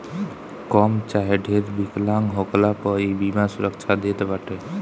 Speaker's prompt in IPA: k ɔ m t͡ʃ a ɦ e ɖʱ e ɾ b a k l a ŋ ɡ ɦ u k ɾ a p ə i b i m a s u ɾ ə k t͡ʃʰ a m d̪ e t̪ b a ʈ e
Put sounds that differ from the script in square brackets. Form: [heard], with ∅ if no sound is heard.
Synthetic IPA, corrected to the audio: k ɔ m t͡ʃ a ɦ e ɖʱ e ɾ b [i] k l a ŋ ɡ ɦ [o] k [l] a p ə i b i m a s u ɾ ə k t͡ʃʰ a [∅] d̪ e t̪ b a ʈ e